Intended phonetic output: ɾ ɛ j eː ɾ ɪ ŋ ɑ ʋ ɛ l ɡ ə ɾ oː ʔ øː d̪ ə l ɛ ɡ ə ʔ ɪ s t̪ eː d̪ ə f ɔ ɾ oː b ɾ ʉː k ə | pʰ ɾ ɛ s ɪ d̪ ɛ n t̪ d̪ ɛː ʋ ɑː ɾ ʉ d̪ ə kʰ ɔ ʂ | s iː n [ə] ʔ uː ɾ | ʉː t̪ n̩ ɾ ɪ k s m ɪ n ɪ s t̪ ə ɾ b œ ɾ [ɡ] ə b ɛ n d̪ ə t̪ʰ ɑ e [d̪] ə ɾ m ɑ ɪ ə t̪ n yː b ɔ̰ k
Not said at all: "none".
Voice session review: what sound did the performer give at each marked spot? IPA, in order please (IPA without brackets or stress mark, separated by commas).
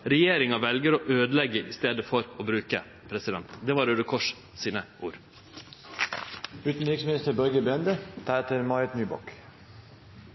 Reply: ə, ɡ, t̪